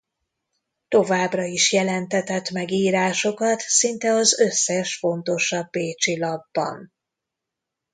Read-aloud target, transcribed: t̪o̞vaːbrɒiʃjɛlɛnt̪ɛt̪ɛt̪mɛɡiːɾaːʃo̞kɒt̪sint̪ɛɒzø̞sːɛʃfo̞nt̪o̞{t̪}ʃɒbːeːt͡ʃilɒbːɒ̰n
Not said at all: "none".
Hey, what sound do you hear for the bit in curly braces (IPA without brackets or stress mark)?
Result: none